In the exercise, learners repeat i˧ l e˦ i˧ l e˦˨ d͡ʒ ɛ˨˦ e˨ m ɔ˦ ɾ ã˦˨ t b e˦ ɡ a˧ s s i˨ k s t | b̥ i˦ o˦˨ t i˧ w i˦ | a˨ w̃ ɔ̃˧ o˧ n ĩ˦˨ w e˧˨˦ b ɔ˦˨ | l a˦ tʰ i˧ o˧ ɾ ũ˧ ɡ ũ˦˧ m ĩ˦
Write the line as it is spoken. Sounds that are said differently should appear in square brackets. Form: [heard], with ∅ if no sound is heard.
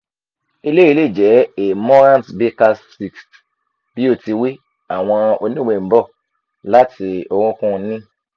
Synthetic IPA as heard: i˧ l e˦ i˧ l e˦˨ d͡ʒ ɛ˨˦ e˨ m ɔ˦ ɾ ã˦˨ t b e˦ [k] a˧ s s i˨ k s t | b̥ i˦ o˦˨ t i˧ w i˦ | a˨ w̃ ɔ̃˧ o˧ n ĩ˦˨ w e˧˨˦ b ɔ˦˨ | l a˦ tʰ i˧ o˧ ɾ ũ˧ [k] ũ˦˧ [n] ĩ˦